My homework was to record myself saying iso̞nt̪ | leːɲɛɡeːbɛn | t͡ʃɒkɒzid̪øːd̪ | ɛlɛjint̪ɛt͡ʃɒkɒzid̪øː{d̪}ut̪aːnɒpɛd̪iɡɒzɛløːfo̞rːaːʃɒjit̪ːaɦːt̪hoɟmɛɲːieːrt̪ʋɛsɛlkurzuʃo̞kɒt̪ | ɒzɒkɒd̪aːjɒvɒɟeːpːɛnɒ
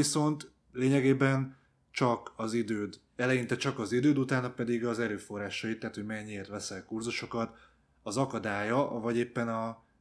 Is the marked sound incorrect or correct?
correct